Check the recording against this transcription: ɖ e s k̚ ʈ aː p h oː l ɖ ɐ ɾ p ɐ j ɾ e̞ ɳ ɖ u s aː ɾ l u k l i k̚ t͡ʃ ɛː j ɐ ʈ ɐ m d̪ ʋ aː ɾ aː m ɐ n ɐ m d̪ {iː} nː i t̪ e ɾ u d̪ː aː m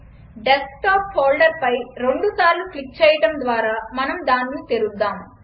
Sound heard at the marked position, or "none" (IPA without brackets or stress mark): aː